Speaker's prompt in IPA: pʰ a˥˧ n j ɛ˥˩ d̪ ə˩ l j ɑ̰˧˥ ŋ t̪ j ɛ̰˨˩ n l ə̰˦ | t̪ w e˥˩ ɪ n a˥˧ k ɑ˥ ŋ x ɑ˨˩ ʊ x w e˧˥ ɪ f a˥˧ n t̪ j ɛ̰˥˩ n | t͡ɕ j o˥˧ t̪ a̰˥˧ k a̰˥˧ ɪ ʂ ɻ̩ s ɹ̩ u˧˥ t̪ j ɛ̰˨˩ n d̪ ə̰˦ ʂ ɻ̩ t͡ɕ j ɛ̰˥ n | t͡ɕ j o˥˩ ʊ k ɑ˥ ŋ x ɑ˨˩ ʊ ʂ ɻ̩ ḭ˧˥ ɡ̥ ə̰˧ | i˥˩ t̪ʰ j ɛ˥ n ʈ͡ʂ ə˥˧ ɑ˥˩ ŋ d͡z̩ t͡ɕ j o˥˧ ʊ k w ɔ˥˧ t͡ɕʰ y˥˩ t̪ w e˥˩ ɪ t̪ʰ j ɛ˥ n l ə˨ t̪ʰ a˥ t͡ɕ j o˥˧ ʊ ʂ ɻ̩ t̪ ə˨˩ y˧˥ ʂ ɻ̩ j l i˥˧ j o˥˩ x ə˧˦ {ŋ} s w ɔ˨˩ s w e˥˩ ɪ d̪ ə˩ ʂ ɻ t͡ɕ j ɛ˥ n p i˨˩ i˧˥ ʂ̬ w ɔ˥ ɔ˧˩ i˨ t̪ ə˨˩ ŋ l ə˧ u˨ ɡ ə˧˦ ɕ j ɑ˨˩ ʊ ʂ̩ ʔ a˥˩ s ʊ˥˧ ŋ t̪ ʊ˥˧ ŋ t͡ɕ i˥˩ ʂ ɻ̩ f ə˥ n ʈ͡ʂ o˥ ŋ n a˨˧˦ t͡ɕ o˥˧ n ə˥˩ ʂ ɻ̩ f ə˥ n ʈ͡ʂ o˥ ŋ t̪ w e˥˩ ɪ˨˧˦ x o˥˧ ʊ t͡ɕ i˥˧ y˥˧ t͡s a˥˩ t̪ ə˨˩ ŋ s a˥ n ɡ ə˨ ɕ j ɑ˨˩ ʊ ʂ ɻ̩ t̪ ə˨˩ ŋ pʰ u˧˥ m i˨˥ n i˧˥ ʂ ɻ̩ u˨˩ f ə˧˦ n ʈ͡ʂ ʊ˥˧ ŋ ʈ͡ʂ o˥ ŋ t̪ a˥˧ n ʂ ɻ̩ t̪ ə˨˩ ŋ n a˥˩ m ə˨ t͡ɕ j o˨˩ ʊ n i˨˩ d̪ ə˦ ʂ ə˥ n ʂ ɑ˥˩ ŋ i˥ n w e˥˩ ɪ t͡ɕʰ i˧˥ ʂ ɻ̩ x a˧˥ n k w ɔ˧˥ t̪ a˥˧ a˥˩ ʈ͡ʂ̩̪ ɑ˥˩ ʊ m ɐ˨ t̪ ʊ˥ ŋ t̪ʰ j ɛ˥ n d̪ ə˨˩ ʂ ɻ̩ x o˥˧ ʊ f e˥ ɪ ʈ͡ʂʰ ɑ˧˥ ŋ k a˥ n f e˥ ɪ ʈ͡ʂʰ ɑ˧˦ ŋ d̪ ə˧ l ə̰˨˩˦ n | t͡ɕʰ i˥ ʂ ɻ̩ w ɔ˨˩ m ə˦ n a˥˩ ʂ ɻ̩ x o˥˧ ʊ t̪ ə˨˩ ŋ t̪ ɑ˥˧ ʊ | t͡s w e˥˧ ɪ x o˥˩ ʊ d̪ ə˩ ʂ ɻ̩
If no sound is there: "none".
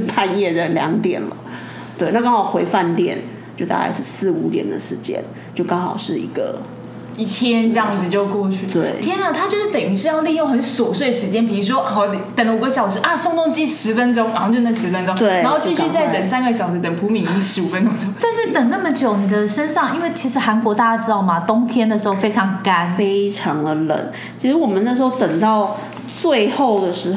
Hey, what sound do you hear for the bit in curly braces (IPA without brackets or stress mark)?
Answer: n